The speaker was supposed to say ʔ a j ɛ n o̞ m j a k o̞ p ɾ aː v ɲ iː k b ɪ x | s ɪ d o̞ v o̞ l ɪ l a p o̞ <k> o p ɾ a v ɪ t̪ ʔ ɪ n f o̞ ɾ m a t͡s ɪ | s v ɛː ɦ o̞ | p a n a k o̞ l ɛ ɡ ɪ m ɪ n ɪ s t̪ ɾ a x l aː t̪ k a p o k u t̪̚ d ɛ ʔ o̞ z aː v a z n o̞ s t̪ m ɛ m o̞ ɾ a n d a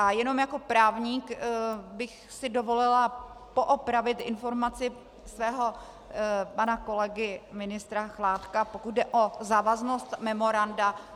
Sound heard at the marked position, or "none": ʔ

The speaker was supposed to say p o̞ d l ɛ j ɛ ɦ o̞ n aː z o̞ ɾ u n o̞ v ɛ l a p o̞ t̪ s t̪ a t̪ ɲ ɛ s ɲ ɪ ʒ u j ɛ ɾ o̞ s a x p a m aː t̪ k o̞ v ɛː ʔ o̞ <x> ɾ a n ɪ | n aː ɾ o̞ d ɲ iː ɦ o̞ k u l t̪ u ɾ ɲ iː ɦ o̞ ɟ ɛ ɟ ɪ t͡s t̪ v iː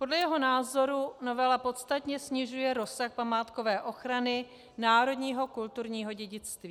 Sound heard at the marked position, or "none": x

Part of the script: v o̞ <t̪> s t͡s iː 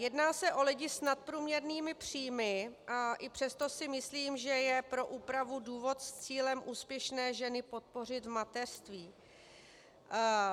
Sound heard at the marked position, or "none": t̪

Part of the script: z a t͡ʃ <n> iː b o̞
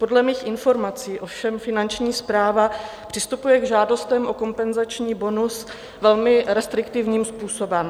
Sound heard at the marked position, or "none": ɲ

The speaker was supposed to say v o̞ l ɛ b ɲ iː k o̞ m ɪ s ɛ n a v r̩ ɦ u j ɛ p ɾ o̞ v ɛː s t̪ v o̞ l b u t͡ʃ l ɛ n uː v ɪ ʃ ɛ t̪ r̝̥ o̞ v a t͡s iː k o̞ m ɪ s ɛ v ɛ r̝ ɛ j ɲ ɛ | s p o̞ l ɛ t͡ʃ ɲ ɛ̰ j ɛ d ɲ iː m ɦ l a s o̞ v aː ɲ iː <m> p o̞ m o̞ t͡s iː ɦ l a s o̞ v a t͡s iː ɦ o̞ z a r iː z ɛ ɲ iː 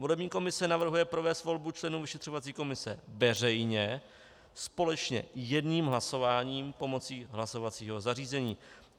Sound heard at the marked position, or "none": m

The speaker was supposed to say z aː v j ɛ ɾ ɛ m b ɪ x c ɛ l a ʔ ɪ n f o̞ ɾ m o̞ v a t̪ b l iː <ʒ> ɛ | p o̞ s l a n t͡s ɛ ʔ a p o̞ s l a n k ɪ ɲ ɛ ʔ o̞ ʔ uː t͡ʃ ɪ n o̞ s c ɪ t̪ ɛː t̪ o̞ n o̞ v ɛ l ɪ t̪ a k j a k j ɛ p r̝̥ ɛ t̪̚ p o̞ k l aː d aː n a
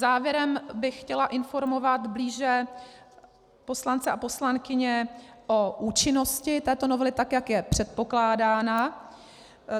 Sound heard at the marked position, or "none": ʒ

